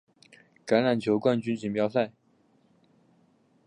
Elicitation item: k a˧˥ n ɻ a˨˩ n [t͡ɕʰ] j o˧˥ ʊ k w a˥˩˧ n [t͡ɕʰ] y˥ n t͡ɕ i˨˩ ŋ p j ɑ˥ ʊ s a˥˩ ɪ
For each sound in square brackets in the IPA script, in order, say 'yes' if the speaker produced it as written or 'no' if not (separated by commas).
yes, no